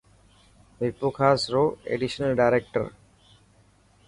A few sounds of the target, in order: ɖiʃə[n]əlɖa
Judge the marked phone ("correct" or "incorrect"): correct